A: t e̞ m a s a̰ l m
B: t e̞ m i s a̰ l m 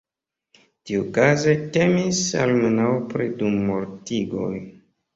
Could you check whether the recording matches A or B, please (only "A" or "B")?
B